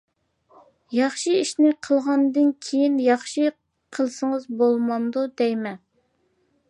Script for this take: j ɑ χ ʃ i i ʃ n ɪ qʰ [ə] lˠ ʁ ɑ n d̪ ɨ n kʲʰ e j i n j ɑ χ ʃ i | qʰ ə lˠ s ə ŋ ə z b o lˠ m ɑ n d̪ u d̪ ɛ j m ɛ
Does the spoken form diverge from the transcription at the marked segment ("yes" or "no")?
no